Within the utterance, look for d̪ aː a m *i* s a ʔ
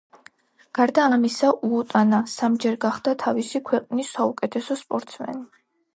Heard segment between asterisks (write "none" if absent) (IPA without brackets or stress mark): i